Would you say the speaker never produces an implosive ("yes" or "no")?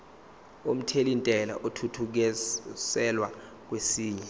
yes